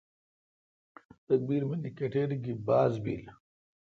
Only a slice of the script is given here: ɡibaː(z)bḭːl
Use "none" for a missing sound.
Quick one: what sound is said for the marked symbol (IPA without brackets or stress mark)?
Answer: z